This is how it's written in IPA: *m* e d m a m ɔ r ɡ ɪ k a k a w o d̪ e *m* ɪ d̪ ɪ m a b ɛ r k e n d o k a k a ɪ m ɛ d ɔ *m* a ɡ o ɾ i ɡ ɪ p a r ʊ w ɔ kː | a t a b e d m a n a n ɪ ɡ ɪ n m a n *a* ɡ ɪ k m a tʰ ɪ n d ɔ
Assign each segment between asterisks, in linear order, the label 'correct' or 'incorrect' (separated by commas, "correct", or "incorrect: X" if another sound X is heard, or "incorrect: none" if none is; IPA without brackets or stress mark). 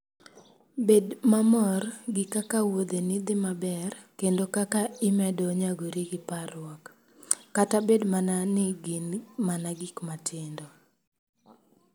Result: incorrect: b, incorrect: n, incorrect: ɲ, correct